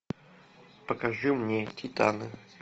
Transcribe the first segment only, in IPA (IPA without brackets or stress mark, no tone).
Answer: p